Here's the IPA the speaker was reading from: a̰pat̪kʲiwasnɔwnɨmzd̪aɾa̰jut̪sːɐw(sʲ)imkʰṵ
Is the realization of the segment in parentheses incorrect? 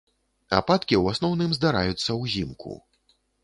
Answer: yes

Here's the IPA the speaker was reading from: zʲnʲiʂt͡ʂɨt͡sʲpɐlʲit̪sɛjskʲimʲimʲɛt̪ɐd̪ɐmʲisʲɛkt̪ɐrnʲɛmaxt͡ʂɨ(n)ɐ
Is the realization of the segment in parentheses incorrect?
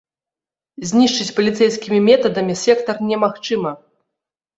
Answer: yes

